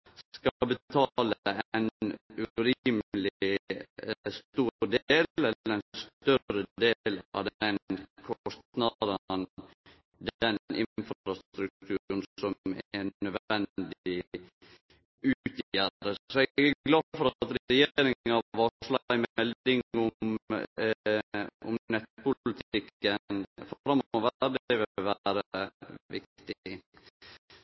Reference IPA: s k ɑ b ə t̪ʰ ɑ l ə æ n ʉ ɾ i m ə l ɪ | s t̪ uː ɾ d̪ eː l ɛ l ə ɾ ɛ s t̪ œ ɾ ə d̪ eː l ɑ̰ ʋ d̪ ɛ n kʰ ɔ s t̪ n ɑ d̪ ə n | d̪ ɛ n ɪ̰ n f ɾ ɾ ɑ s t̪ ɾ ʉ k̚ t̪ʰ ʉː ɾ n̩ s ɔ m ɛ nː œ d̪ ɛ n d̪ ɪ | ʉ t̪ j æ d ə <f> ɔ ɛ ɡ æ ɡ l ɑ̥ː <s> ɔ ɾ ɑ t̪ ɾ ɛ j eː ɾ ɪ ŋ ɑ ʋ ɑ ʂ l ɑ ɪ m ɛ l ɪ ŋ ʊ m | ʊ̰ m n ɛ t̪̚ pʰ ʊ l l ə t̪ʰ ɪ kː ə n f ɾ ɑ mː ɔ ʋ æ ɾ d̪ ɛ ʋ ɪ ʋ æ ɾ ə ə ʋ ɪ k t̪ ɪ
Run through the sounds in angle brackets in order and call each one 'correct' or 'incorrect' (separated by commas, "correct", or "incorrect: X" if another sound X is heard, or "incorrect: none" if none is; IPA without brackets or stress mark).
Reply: incorrect: s, incorrect: f